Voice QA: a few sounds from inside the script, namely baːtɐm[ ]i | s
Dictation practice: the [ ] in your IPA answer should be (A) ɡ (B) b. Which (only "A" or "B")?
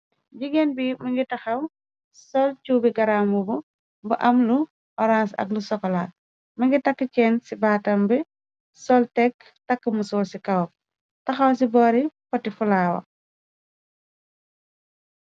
B